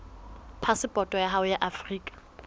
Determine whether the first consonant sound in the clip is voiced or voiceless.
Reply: voiceless